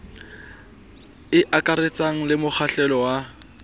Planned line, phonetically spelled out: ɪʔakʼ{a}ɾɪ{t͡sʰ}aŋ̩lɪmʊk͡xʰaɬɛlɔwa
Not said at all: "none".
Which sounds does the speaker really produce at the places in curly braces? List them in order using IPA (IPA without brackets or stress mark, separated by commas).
a, t͡s